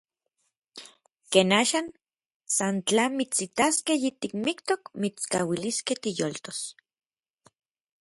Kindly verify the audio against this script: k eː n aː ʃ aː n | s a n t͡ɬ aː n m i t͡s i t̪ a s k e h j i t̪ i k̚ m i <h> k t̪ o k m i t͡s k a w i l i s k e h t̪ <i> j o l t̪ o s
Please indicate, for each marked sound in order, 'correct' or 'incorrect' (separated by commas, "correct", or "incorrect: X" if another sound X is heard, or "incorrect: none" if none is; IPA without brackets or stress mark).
incorrect: none, correct